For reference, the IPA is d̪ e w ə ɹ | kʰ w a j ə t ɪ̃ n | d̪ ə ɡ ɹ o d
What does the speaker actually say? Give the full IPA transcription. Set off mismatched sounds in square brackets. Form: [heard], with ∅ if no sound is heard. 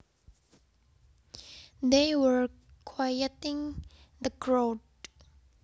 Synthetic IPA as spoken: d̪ e w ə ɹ | kʰ w a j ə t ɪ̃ [ŋ] | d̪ ə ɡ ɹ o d